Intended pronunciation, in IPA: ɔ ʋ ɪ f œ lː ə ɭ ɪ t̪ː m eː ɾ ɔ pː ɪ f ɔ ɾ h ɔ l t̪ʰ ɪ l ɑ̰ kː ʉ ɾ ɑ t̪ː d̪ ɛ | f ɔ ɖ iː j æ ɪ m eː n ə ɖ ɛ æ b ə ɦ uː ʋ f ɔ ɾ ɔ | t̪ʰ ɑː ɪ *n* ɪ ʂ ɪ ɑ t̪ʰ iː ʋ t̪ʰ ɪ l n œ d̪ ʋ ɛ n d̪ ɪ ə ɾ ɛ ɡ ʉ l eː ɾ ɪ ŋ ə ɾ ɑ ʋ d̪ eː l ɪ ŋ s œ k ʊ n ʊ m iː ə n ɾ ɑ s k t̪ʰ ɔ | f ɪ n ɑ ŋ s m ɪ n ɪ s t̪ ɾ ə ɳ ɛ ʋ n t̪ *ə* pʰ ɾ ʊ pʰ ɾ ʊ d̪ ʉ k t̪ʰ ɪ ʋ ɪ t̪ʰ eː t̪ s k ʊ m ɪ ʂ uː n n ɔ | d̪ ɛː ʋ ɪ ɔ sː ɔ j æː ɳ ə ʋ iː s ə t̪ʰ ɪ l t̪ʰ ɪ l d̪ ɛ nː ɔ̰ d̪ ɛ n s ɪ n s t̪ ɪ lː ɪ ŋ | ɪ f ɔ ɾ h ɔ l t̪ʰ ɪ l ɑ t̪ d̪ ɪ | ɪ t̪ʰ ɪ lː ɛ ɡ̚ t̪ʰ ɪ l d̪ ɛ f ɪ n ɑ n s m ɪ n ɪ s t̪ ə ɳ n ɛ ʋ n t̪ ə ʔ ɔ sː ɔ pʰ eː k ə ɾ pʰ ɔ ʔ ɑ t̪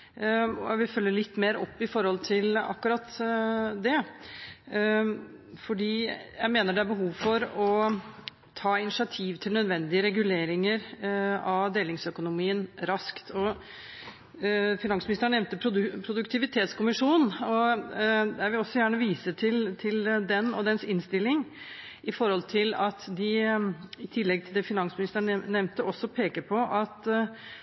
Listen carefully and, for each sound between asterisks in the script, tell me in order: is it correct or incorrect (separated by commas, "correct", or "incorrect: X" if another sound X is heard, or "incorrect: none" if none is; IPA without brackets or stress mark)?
correct, correct